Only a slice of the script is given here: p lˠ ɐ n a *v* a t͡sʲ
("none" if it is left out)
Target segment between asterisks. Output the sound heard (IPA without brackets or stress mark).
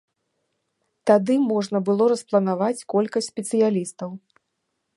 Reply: v